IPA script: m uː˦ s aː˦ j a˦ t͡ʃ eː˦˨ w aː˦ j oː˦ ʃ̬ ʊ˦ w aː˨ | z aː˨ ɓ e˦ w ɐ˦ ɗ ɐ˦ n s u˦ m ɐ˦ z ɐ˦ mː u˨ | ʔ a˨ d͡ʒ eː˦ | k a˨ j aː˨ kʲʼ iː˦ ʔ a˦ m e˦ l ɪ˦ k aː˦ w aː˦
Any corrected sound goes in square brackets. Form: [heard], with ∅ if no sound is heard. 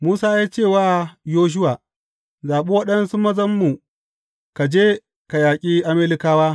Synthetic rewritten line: m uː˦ s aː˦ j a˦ t͡ʃ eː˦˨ w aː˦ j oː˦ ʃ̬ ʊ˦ w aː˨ | z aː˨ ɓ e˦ w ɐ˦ ɗ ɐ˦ n s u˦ m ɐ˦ z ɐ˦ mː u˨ | [k] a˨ d͡ʒ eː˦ | k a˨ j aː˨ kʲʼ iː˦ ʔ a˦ m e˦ l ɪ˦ k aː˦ w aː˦